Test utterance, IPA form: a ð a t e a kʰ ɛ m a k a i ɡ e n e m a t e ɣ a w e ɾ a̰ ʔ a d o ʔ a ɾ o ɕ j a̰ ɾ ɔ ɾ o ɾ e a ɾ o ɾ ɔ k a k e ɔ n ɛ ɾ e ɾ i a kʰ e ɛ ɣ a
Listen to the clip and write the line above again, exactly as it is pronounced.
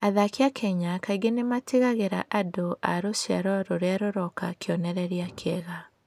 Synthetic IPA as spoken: a ð a k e a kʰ ɛ ɲ a k a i ɡ e n e m a t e ɣ a ɣ e ɾ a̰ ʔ a d o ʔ a ɾ o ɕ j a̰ ɾ ɔ ɾ o ɾ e a ɾ o ɾ ɔ k a k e ɔ n ɛ ɾ ɛ ɾ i a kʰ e ɛ ɣ a